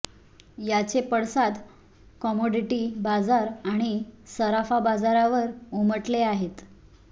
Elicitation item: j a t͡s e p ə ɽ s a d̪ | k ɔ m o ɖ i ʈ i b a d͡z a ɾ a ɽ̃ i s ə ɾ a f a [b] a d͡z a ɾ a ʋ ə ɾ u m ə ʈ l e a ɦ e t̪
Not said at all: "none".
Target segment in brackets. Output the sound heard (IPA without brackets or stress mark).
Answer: b